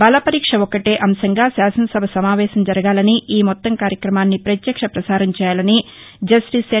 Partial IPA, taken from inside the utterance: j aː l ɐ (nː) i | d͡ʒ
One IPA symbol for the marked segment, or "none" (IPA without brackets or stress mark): n